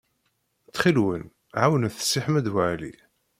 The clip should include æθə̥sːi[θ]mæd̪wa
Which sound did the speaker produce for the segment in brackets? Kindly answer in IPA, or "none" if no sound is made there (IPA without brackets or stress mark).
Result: ħ